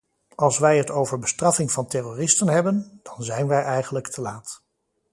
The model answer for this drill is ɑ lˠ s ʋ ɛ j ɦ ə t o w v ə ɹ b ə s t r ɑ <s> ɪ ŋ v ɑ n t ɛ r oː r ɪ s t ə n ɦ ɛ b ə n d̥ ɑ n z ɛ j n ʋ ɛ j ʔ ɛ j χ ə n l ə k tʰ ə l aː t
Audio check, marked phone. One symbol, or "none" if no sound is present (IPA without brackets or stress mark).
f